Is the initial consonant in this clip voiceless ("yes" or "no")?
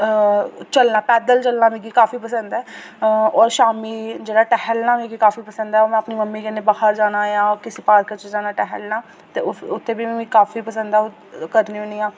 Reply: yes